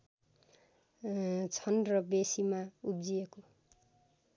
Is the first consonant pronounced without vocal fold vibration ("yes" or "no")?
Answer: yes